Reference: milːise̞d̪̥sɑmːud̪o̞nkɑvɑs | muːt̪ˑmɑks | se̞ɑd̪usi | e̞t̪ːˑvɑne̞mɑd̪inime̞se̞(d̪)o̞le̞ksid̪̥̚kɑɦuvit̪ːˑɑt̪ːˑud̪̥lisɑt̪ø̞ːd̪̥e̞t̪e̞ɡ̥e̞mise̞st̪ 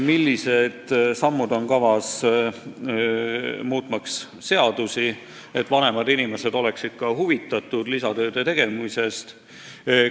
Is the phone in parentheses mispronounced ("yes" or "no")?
no